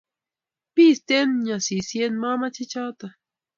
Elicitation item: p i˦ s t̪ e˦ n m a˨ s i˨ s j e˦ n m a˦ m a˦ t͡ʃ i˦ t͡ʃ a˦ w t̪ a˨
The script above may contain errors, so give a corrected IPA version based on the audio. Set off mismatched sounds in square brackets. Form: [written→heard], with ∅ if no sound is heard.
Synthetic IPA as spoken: p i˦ s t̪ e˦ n [m→ɲ] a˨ s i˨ s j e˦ n m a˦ m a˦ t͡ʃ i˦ t͡ʃ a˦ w t̪ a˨